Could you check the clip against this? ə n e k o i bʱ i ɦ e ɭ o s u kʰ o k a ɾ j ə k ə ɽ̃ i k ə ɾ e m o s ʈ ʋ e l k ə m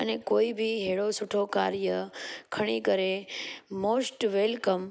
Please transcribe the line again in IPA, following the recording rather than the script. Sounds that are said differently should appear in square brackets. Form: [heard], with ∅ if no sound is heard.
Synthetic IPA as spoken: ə n e k o i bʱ i ɦ e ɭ o s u [ʈʰ] o k a ɾ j ə [kʰ] ə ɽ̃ i k ə ɾ e m o s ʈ ʋ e l k ə m